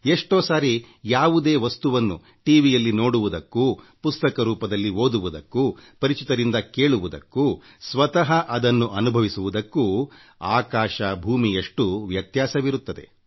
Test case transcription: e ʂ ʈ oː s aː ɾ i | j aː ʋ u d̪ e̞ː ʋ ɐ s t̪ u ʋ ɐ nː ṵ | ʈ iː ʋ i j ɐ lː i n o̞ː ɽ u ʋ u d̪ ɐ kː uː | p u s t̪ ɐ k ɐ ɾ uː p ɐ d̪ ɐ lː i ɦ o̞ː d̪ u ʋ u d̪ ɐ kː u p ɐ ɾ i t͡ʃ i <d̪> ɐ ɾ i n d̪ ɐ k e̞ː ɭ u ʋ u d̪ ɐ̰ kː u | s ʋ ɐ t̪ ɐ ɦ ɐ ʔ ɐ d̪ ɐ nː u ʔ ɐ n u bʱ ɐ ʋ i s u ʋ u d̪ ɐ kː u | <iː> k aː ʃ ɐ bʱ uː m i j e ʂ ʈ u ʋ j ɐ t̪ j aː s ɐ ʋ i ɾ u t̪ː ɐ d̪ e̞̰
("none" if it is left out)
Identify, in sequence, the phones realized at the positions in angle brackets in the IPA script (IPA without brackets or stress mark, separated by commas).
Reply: t̪, aː